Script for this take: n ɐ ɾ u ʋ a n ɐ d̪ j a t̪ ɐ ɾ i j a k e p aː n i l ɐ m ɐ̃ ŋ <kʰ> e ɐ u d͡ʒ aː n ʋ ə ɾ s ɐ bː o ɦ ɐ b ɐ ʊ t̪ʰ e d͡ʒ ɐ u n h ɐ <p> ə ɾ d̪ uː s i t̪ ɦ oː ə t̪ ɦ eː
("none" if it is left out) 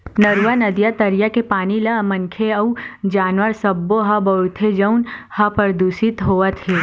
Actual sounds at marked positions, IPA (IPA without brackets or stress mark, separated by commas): kʰ, p